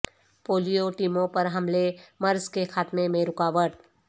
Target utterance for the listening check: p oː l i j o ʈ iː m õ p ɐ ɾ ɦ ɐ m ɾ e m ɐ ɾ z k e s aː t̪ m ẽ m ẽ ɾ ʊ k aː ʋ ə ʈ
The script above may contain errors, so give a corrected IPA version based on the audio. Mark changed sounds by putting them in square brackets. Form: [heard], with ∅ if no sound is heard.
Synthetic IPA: p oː l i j o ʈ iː m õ p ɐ ɾ ɦ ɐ m [l] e m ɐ ɾ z k e [x] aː t̪ m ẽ m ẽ ɾ ʊ k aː ʋ ə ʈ